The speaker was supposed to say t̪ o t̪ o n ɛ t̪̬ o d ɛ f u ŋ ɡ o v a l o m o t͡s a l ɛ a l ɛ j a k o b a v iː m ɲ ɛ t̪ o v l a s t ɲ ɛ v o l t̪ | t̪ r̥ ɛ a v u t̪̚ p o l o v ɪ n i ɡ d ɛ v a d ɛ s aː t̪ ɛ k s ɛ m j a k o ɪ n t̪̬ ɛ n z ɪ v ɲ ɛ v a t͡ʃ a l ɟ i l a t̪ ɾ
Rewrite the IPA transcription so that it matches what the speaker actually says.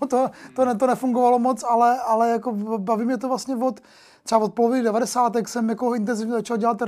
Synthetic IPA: t̪ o t̪ o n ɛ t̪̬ o n ɛ f u ŋ ɡ o v a l o m o t͡s a l ɛ a l ɛ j a k o b a v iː m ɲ ɛ t̪ o v l a s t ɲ ɛ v o t̪ | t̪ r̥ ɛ a v o t̪̚ p o l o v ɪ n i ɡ d ɛ v a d ɛ s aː t̪ ɛ k s ɛ m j a k o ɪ n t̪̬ ɛ n z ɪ v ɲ ɛ z a t͡ʃ a l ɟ ɛ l a t̪ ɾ